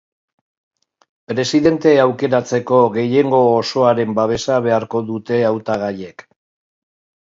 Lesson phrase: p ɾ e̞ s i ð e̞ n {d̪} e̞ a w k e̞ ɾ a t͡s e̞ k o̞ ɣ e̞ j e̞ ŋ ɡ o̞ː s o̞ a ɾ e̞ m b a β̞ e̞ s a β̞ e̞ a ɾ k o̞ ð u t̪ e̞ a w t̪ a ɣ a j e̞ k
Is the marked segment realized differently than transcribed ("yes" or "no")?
yes